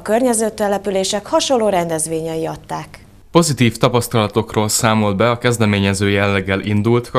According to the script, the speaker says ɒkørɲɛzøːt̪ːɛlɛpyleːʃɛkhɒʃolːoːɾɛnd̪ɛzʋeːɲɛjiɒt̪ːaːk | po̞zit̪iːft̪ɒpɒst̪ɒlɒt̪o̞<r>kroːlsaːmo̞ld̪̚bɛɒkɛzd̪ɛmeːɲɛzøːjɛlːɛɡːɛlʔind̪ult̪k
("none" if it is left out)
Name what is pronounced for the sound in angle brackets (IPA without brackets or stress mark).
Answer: none